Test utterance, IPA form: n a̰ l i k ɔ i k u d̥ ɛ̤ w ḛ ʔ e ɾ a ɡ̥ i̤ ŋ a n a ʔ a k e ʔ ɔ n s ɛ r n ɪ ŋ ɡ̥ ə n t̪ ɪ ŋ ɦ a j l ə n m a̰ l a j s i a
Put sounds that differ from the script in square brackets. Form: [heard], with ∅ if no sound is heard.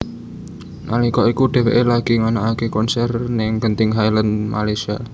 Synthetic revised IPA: n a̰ l i k ɔ i k u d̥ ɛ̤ w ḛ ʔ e [l] a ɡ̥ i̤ ŋ a n a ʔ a k e [k] ɔ n s ɛ r n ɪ ŋ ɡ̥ ə n t̪ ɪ ŋ ɦ a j l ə n m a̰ l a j s i a